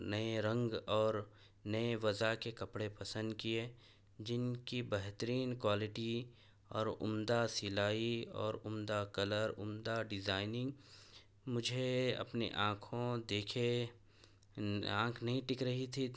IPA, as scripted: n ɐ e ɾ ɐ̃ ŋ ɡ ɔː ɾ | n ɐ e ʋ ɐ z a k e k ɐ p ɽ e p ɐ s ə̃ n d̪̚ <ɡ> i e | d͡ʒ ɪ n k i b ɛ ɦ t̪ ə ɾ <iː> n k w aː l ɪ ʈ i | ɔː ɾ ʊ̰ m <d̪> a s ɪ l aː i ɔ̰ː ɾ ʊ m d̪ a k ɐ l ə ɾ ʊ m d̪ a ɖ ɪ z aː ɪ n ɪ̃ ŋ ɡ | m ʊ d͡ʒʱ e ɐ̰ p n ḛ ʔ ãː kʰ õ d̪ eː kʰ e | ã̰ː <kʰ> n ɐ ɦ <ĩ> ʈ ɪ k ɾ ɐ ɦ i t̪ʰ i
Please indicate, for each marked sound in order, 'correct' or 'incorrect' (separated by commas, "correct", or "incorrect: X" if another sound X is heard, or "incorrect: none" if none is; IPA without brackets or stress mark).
incorrect: k, correct, correct, correct, correct